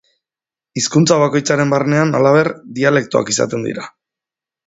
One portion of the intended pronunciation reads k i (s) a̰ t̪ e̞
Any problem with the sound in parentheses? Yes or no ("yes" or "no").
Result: no